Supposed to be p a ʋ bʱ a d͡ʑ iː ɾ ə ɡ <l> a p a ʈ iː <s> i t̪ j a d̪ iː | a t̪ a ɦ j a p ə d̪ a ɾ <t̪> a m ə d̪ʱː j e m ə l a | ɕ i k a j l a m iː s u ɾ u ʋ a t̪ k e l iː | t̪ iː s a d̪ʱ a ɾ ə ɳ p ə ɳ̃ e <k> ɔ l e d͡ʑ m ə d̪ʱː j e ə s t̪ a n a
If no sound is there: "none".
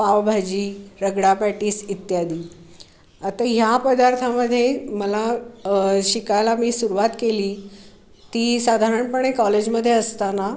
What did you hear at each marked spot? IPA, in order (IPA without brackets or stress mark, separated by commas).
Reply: ɽ, s, t̪ʰ, k